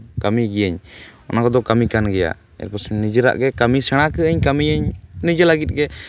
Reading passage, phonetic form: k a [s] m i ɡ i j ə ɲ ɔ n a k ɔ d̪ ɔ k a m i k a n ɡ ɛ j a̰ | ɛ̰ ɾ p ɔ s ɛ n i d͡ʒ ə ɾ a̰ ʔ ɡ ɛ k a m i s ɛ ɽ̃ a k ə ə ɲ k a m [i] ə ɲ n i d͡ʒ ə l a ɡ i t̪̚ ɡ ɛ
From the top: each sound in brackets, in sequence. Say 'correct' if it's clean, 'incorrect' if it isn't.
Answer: incorrect, correct

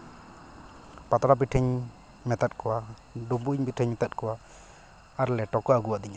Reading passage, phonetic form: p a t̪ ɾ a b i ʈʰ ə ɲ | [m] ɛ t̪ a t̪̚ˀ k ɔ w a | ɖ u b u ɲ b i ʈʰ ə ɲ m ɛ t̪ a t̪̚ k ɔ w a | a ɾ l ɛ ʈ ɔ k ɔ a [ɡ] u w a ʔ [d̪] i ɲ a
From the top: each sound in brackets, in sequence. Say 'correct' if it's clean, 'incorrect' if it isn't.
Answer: correct, correct, correct

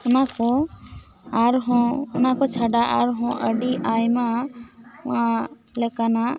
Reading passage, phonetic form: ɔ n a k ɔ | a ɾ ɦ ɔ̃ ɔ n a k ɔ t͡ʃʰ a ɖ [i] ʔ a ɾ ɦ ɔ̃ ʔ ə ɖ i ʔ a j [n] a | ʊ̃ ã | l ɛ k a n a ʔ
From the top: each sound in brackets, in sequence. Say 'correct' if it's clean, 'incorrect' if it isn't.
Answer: incorrect, incorrect

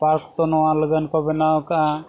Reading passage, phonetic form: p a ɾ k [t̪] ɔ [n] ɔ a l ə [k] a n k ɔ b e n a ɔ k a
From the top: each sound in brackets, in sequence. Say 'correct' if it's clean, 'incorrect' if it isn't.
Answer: correct, correct, incorrect

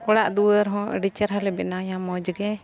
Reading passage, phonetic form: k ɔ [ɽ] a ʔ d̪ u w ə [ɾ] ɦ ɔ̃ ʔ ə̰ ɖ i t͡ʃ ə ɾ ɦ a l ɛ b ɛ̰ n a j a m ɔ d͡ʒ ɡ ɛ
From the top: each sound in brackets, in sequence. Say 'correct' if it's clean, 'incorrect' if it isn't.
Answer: correct, correct

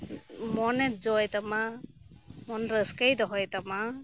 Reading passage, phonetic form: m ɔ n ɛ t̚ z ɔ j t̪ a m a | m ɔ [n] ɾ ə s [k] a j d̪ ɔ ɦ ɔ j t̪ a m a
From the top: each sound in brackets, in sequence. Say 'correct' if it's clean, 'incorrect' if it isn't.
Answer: correct, correct

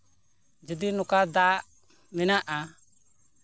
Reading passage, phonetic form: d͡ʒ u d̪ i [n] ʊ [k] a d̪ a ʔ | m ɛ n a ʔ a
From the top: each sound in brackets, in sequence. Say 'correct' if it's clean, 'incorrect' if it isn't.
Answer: correct, correct

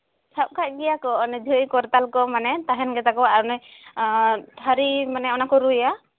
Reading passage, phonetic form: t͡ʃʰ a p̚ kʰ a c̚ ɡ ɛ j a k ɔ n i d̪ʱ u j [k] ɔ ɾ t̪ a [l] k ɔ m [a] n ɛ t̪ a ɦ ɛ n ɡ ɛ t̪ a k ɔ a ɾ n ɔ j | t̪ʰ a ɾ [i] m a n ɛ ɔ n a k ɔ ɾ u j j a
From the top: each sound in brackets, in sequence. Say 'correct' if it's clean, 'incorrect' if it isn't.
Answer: correct, correct, correct, correct

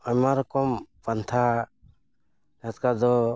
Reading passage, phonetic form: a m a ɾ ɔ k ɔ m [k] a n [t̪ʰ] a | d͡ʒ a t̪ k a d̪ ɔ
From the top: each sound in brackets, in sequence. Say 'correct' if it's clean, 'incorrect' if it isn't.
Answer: incorrect, correct

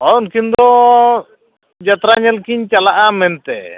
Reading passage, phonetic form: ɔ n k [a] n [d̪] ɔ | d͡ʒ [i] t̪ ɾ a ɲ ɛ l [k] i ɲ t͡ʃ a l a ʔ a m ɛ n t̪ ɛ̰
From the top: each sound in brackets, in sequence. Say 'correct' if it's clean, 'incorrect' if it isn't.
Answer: incorrect, correct, incorrect, correct

